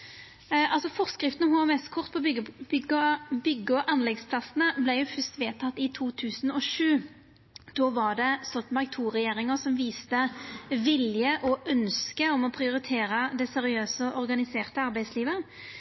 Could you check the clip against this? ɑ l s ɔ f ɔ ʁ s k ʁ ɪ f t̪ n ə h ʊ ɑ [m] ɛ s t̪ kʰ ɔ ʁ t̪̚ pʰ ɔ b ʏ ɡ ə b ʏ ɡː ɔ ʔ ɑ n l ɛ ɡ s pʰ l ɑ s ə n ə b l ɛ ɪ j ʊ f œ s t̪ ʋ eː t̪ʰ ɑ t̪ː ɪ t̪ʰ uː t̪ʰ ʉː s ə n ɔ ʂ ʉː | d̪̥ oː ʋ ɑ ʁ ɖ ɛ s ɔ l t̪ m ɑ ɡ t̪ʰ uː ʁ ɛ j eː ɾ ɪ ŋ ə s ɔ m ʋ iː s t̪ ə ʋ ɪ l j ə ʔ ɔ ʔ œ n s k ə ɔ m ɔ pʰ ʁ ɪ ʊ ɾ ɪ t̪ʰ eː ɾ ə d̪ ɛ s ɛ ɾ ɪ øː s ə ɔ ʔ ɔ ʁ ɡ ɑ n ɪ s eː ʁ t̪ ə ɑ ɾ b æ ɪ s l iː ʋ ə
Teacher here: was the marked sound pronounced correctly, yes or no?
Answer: yes